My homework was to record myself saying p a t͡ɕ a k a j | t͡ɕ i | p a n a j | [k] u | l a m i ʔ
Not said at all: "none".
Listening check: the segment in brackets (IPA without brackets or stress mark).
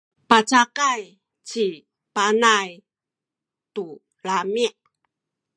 t